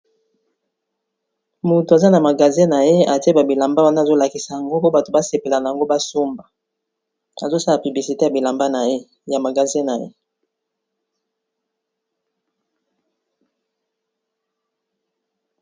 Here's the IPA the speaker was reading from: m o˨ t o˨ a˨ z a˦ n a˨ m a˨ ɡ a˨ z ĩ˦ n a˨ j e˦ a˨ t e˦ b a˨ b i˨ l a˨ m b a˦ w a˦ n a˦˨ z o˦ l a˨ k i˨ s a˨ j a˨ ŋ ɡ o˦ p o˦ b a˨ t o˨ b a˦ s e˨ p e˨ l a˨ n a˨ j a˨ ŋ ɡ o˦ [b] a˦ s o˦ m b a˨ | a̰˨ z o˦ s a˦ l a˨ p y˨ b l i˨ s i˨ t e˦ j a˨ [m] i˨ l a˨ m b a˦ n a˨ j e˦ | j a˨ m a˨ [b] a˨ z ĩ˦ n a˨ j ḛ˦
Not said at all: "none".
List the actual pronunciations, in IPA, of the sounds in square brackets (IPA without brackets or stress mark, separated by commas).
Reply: b, b, ɡ